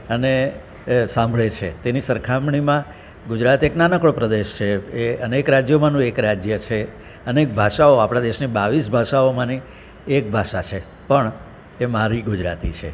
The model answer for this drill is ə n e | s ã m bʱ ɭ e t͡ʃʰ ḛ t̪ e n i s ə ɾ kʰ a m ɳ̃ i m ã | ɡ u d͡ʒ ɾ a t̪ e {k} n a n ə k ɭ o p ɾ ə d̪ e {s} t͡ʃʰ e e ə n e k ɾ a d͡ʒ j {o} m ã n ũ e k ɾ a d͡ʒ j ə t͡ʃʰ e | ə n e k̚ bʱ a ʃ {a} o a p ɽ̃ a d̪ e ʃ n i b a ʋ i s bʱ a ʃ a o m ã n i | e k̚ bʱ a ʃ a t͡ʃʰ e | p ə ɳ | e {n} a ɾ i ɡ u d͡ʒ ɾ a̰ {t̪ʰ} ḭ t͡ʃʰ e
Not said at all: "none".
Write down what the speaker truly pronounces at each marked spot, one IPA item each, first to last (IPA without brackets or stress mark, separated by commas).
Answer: k, ʃ, o, a, m, t̪